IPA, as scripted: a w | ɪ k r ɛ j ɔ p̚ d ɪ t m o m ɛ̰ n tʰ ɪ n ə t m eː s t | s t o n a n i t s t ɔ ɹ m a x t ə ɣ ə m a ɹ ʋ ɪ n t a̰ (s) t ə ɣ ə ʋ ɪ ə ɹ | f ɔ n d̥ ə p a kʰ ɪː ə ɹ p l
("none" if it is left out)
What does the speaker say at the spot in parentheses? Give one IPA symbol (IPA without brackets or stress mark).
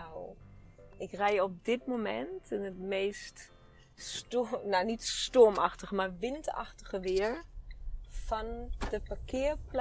x